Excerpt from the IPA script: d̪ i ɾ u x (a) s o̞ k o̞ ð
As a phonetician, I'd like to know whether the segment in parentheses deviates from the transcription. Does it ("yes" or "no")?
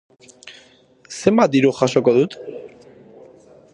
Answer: no